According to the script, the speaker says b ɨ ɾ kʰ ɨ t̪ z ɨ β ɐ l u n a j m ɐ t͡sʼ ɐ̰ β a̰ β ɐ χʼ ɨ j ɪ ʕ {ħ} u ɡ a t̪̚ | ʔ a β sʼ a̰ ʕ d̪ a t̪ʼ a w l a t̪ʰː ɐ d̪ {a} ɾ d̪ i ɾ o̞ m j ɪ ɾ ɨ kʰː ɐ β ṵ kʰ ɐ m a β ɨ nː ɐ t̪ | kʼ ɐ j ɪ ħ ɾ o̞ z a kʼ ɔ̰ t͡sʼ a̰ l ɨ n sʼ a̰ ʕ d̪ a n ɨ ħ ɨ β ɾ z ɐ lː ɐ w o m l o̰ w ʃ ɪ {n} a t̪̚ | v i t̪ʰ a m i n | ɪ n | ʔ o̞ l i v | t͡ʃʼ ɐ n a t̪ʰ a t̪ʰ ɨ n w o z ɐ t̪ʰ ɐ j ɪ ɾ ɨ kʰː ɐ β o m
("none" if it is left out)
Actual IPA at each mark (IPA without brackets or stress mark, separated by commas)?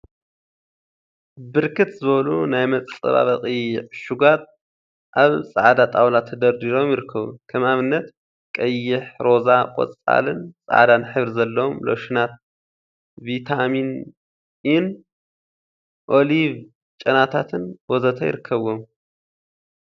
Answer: ʃ, ɐ, n